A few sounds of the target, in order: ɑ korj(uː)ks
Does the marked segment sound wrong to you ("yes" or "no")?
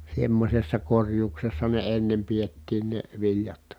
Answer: no